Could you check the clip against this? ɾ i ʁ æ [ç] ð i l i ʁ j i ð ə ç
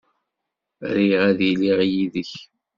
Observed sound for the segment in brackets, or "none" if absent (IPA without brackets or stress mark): none